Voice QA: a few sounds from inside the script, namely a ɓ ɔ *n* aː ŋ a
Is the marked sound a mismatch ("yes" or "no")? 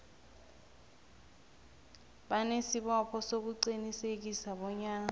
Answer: yes